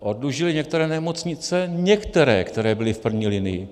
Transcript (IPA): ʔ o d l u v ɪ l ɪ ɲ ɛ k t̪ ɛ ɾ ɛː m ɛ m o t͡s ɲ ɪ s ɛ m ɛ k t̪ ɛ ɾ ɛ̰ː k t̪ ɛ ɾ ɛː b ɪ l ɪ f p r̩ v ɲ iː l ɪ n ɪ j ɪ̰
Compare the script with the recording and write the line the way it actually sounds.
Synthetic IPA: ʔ o d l u ʒ ɪ l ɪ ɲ ɛ k t̪ ɛ ɾ ɛː n ɛ m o t͡s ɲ ɪ t͡s ɛ ɲ ɛ k t̪ ɛ ɾ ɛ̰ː k t̪ ɛ ɾ ɛː b ɪ l ɪ f p r̩ v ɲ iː l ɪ n ɪ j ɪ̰